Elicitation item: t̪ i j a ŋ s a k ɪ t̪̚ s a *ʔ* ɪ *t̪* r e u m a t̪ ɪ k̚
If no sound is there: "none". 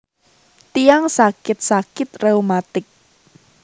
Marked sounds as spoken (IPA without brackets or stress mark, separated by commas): k, t̪